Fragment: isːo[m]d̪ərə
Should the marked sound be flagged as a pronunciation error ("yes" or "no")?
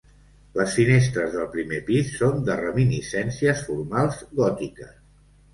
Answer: yes